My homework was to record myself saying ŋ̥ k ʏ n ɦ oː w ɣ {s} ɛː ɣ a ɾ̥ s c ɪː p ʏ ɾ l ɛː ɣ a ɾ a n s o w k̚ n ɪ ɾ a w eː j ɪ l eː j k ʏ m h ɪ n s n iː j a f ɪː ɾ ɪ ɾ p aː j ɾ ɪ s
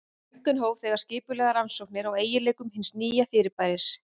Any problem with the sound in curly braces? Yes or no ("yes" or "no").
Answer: yes